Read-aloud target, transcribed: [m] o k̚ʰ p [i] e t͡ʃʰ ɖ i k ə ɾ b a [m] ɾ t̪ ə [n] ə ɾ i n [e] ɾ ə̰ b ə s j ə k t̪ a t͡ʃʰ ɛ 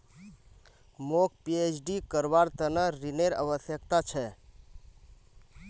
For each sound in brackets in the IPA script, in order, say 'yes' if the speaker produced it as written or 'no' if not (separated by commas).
yes, yes, no, yes, yes